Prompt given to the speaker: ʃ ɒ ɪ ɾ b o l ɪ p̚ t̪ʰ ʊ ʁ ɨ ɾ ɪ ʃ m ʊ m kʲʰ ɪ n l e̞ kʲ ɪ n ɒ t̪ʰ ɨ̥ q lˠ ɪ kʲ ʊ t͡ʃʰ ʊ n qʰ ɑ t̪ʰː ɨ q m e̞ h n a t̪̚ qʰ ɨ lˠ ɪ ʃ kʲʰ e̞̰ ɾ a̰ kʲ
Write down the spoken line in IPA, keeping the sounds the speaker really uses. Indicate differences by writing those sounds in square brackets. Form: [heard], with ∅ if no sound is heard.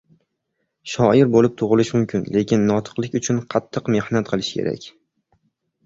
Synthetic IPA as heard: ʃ ɒ ɪ ɾ b o l ɪ p̚ t̪ʰ ʊ ʁ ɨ [l] ɪ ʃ m ʊ m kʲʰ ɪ n l e̞ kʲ ɪ [nː] ɒ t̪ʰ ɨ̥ q lˠ ɪ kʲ ʊ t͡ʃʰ ʊ n qʰ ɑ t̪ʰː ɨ q m e̞ h n a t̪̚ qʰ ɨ lˠ ɪ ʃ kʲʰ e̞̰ ɾ a̰ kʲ